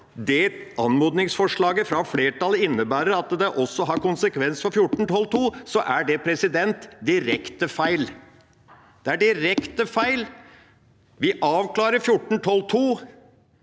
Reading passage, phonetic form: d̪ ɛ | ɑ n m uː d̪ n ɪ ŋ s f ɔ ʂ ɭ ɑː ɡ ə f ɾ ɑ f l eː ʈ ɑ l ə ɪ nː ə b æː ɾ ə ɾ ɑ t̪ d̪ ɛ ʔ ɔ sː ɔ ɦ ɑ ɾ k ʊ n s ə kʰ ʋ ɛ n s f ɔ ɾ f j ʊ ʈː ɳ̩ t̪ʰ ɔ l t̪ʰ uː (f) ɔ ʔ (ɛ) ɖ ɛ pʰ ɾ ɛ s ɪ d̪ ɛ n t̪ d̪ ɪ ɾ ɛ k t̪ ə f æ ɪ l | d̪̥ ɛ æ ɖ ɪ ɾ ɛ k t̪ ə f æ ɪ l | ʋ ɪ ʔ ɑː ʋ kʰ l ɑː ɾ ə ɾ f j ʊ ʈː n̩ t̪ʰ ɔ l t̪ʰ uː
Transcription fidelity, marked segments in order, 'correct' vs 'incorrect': incorrect: s, incorrect: æ

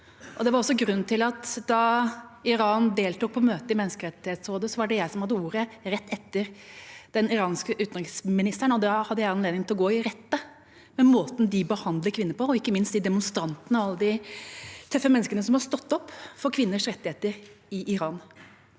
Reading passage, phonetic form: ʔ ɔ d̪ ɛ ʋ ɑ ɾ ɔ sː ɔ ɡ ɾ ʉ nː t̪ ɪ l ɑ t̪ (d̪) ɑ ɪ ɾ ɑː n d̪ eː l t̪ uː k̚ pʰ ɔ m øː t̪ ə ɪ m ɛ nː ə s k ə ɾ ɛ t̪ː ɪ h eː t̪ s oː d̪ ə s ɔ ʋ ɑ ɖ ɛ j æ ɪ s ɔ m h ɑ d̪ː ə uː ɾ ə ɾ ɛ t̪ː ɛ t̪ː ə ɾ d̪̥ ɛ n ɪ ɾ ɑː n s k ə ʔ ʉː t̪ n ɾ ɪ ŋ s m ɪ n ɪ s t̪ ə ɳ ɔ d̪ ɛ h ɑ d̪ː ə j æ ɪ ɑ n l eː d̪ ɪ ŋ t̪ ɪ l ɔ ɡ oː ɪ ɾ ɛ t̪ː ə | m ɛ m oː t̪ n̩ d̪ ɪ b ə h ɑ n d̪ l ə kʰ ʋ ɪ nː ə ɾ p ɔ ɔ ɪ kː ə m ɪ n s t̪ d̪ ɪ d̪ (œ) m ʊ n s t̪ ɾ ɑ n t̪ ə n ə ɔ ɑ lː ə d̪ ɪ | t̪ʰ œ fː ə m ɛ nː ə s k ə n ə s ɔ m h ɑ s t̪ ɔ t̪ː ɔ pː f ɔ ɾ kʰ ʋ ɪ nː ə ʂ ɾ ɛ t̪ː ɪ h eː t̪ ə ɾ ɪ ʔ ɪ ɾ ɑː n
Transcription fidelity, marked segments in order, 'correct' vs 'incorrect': correct, incorrect: ɛ

